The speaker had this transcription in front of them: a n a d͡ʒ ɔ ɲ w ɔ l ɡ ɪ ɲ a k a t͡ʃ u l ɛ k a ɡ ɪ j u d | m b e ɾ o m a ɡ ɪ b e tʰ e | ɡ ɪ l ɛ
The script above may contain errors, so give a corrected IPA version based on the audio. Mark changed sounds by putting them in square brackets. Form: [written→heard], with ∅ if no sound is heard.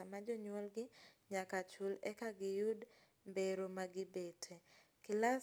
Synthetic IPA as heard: a [n→m] a d͡ʒ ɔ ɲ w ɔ l ɡ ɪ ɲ a k a t͡ʃ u l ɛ k a ɡ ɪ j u d | m b e ɾ o m a ɡ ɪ b e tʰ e | [ɡ→k] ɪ l [ɛ→a]